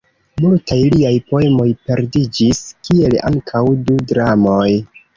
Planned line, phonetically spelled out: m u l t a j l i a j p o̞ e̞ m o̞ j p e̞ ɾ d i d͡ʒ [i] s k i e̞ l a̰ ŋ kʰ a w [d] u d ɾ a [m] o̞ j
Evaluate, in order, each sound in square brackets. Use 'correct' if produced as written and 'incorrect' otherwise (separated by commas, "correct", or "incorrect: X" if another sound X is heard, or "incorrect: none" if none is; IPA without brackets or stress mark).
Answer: correct, correct, correct